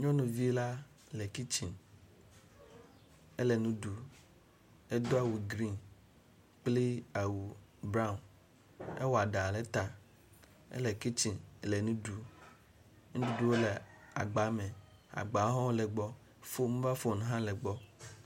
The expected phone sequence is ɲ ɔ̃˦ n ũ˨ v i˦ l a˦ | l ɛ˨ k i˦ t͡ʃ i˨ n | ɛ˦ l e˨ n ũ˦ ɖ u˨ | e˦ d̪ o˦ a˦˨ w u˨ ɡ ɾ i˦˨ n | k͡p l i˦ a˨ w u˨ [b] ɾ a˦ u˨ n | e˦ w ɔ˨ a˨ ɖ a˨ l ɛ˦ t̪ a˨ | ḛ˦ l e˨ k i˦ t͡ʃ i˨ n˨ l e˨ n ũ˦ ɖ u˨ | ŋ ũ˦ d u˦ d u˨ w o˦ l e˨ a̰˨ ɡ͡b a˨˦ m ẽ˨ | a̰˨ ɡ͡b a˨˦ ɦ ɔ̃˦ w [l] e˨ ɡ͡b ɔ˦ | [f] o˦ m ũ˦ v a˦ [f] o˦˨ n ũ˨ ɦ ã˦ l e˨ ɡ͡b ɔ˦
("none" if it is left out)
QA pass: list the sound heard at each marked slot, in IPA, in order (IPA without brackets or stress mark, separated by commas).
b, l, f, f